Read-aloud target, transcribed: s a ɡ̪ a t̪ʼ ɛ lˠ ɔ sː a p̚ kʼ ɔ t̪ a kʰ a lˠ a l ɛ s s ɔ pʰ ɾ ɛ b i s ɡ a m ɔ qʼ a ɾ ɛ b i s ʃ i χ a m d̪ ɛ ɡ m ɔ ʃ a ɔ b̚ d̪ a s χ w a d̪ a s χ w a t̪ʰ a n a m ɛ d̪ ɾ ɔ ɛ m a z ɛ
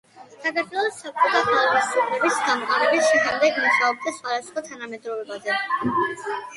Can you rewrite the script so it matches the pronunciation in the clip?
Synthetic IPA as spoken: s a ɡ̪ a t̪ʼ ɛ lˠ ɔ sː a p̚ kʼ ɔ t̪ a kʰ a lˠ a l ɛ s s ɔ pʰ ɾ ɛ b i s ɡ a m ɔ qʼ a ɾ ɛ b i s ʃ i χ a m d̪ ɛ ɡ m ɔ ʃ a ɔ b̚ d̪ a s χ w a d̪ a s χ w a t̪ʰ a n a m ɛ d̪ ɾ ɔ ɛ b a z ɛ

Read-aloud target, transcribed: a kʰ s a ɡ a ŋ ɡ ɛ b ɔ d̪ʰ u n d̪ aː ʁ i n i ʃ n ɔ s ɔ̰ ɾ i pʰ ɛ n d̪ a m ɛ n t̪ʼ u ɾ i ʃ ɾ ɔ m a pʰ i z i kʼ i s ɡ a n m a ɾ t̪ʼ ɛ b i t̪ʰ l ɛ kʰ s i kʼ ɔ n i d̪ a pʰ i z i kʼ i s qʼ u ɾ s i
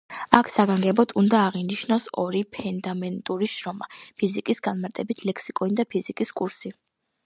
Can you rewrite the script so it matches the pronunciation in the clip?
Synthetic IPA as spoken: a kʰ s a ɡ a ŋ ɡ ɛ b ɔ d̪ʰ u n d̪ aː ʁ i n i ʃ n ɔ s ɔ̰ ɾ i pʰ ɛ n d̪ a m ɛ n t̪ʼ u ɾ i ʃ ɾ ɔ m a pʰ i z i kʼ i s ɡ a n m a ɾ t̪ʼ ɛ b i t̪ʰ l ɛ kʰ s i kʼ ɔ n i d̪ a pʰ i z i kʼ i s kʼ u ɾ s i

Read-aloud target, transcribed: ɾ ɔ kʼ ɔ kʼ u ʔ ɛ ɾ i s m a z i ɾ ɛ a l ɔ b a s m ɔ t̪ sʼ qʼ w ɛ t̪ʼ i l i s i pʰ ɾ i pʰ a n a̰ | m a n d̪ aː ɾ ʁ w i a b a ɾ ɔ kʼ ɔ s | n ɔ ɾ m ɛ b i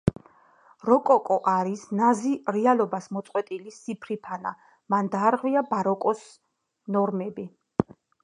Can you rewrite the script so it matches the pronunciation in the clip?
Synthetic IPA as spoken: ɾ ɔ kʼ ɔ kʼ ɔ ʔ a ɾ i s n a z i ɾ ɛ a l ɔ b a s m ɔ t̪ sʼ qʼ w ɛ t̪ʼ i l i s i pʰ ɾ i pʰ a n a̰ | m a n d̪ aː ɾ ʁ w i a b a ɾ ɔ kʼ ɔ s | n ɔ ɾ m ɛ b i

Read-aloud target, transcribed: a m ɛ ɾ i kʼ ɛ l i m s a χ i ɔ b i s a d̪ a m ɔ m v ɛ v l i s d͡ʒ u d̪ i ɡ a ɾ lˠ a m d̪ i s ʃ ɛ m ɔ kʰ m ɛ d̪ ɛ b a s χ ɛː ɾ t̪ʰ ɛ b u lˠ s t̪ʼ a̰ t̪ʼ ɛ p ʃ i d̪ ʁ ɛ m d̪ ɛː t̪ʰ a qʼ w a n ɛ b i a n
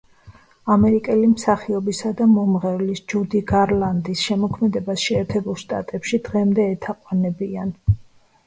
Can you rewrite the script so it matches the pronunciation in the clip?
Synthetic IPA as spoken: a m ɛ ɾ i kʼ ɛ l i m s a χ i ɔ b i s a d̪ a m ɔ m ʁ ɛ v l i s d͡ʒ u d̪ i ɡ a ɾ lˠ a n d̪ i s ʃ ɛ m ɔ kʰ m ɛ d̪ ɛ b a s ʃ ɛː ɾ t̪ʰ ɛ b u lˠ ʃ t̪ʼ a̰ t̪ʼ ɛ p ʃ i d̪ ʁ ɛ m d̪ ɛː t̪ʰ a qʼ w a n ɛ b i a n

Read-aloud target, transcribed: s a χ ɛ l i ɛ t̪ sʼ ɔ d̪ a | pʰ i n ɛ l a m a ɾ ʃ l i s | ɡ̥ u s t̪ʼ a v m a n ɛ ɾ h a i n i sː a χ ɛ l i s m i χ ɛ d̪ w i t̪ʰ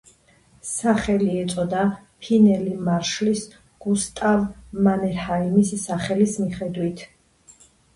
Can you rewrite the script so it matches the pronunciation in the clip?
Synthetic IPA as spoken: s a χ ɛ l i ɛ t̪ sʼ ɔ d̪ a | pʰ i n ɛ l i m a ɾ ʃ l i s | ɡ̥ u s t̪ʼ a v m a n ɛ ɾ h a i m i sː a χ ɛ l i s m i χ ɛ d̪ w i t̪ʰ

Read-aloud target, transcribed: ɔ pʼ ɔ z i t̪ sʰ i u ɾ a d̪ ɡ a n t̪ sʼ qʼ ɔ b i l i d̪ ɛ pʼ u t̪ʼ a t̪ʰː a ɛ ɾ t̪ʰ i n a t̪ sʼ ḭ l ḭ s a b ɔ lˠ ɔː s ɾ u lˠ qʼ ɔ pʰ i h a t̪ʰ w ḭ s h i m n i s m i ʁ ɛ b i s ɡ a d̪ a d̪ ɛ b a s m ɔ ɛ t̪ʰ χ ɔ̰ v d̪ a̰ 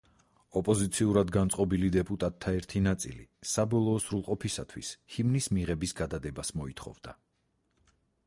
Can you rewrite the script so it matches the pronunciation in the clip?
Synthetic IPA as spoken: ɔ pʼ ɔ z i t̪ sʰ i u ɾ a d̪ ɡ a n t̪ sʼ qʼ ɔ b i l i d̪ ɛ pʼ u t̪ʼ a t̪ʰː a ɛ ɾ t̪ʰ i n a t̪ sʼ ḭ l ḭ s a b ɔ lˠ ɔː s ɾ u lˠ qʼ ɔ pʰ i s a t̪ʰ w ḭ s h i m n i s m i ʁ ɛ b i s ɡ a d̪ a d̪ ɛ b a s m ɔ i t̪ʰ χ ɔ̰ v d̪ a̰

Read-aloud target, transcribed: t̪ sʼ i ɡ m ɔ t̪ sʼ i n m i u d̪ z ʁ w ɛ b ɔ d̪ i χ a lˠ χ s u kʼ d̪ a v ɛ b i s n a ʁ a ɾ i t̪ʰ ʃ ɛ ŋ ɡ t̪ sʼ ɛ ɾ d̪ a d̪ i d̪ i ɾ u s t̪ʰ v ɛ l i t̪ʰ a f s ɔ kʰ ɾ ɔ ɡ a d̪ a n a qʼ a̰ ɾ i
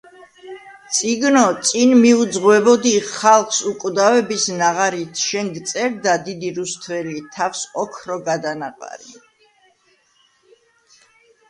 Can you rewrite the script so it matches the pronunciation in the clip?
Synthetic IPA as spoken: t̪ sʼ i ɡ n ɔ t̪ sʼ i n m i u d̪ z ʁ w ɛ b ɔ d̪ i χ a lˠ χ s u kʼ d̪ a v ɛ b i s n a ʁ a ɾ i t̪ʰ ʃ ɛ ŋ ɡ t̪ sʼ ɛ ɾ d̪ a d̪ i d̪ i ɾ u s t̪ʰ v ɛ l i t̪ʰ a f s ɔ kʰ ɾ ɔ ɡ a d̪ a n a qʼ a̰ ɾ i

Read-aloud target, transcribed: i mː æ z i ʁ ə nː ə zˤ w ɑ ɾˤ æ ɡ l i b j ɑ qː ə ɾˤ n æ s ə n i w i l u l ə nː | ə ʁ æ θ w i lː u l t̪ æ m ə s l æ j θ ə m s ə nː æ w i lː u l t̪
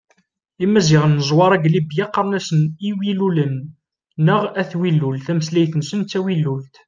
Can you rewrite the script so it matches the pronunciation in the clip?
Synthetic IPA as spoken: i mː æ z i ʁ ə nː ə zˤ w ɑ ɾˤ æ ɡ l i b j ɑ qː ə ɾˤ n æ s ə n i w i l u l ə nː | ə ʁ æ θ w i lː u l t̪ æ m ə s l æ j θ ə n s ə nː æ w i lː u l t̪

